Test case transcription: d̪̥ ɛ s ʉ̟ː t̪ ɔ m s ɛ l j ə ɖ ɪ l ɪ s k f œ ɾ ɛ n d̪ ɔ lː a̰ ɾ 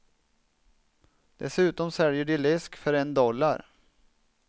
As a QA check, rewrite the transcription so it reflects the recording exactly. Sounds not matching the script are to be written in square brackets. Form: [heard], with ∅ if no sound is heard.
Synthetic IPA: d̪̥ ɛ s ʉ̟ː t̪ ɔ m s ɛ l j ə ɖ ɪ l ɪ s k f œ ɾ ɛ n d̪ ɔ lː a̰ ɾ